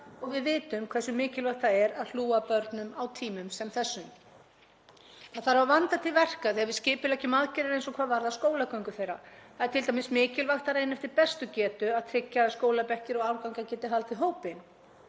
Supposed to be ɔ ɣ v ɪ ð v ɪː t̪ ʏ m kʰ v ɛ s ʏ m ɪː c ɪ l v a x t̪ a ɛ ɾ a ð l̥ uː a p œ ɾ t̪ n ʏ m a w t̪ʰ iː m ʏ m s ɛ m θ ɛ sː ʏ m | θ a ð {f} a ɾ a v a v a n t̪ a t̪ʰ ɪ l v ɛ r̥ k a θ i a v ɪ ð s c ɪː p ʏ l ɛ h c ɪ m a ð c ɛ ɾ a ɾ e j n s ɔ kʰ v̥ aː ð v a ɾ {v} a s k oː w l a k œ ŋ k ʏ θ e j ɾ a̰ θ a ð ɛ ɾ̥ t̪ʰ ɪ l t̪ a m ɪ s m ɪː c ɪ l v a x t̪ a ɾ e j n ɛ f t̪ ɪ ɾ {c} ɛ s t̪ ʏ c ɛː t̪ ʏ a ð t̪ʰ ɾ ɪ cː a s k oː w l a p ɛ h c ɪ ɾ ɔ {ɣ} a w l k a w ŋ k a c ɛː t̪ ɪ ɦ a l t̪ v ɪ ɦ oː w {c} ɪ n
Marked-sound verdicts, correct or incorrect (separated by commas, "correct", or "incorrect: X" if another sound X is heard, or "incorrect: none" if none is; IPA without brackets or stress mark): incorrect: θ, incorrect: ð, incorrect: p, correct, incorrect: p